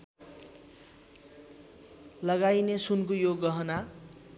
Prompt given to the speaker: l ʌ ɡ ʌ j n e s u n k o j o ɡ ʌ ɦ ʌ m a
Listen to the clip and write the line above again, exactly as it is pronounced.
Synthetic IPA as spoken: l ʌ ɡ a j n e s u n k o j o ɡ ʌ ɦ ʌ n a